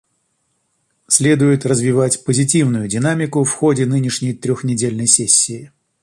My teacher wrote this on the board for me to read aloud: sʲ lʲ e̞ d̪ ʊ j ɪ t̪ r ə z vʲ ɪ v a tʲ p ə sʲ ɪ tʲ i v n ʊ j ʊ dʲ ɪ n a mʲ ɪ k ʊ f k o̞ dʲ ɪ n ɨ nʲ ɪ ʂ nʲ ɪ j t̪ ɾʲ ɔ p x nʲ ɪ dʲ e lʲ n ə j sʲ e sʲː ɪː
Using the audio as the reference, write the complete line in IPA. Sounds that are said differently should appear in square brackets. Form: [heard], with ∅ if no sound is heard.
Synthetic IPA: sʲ lʲ e̞ d̪ ʊ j ɪ t̪ r ə z vʲ ɪ v a tʲ p ə [zʲ] ɪ tʲ i v n ʊ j ʊ dʲ ɪ n a mʲ ɪ k ʊ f [x] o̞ dʲ ɪ n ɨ nʲ ɪ ʂ nʲ ɪ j t̪ ɾʲ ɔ [∅] x nʲ ɪ dʲ e lʲ n ə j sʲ e sʲː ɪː